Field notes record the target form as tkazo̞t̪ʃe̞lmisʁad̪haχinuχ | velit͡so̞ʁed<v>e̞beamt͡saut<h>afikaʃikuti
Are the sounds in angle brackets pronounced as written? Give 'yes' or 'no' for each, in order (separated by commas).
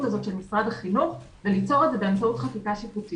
no, no